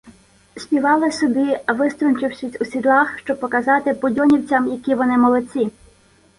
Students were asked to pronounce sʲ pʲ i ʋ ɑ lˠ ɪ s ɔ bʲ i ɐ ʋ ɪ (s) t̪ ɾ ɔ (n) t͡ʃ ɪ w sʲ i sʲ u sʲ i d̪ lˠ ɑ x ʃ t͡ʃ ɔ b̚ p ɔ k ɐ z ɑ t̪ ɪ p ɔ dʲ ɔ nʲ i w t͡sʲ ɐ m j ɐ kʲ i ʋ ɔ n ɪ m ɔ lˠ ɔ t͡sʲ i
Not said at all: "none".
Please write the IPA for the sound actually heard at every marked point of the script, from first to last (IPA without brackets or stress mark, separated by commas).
s, n